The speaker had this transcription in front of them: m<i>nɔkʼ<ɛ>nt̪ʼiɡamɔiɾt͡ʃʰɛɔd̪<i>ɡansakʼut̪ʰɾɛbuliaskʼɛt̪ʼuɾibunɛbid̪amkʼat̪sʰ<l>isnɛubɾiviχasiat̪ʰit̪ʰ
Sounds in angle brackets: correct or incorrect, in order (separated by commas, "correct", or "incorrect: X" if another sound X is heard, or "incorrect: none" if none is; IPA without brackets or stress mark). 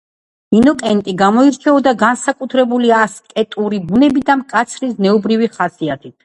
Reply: correct, correct, incorrect: a, incorrect: ɾ